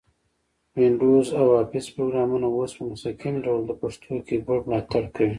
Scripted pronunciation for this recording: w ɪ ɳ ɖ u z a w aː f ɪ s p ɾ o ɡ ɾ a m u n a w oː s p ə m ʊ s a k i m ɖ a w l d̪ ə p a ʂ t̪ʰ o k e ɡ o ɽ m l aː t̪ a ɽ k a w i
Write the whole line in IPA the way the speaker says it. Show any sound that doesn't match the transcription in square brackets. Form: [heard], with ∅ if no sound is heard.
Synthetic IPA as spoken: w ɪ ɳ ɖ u z a w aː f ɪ s p ɾ o ɡ ɾ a m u n a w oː s p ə m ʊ s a k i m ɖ a w l d̪ ə p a ʂ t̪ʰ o k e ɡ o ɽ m l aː t̪ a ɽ k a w i